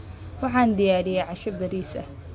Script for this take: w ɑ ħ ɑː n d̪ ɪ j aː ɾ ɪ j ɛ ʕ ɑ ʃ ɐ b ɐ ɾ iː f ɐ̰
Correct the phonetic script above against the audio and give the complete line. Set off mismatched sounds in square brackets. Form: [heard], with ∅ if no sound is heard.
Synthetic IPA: w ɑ ħ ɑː n d̪ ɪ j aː ɾ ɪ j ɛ ʕ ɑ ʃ ɐ b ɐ ɾ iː [s] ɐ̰